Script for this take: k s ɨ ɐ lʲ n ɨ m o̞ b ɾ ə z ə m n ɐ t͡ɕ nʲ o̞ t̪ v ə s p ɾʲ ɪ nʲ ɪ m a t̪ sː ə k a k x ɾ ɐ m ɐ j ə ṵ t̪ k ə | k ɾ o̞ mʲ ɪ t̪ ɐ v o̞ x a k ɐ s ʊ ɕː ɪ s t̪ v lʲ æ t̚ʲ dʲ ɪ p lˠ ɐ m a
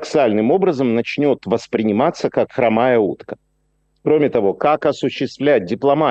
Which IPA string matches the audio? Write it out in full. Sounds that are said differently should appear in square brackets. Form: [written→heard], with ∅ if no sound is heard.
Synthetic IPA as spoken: k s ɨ [ɐ→a] lʲ n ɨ m o̞ b ɾ ə z ə m n ɐ t͡ɕ nʲ o̞ t̪ v ə s p ɾʲ ɪ nʲ ɪ m a t̪ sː ə k a k x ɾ ɐ m [ɐ→a] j ə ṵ t̪ k ə | k ɾ o̞ mʲ ɪ t̪ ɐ v o̞ [x→k] a k ɐ s ʊ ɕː ɪ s t̪ v lʲ æ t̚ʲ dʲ ɪ p lˠ ɐ m a